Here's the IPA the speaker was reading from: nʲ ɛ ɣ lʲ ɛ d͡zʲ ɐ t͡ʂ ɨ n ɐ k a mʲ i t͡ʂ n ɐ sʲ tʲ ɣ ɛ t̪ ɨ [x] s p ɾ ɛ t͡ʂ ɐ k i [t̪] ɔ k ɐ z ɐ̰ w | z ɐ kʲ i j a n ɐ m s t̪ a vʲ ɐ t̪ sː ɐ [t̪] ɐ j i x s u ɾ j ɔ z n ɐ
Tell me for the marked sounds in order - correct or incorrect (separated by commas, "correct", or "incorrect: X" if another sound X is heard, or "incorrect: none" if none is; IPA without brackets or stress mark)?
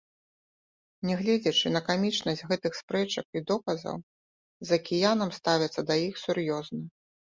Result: correct, incorrect: d̪, incorrect: d̪